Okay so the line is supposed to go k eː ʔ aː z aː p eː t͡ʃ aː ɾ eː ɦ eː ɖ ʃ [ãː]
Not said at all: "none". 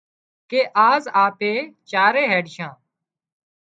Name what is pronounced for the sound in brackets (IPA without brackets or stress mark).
ãː